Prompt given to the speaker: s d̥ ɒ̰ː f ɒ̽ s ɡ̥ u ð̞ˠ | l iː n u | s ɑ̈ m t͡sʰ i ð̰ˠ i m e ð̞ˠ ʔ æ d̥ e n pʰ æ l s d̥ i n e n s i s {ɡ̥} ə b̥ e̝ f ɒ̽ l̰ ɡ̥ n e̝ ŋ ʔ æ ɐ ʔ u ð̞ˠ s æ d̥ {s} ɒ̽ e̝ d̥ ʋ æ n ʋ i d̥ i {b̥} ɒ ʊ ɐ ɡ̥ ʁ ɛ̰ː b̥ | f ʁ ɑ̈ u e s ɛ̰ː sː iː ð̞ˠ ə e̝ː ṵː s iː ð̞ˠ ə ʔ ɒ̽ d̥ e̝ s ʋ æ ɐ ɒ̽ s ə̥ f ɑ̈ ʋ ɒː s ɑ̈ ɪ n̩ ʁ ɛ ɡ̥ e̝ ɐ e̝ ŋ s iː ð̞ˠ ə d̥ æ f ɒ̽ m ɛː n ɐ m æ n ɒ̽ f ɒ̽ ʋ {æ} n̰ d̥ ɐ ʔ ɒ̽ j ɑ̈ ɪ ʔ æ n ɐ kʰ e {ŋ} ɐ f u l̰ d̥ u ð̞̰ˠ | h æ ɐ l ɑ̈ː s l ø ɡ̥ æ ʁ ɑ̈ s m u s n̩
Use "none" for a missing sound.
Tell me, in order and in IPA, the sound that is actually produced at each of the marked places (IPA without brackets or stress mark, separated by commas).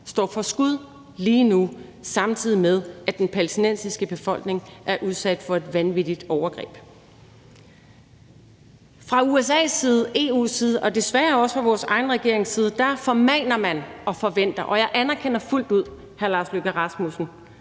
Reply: ɡ̥, f, d̥, e, n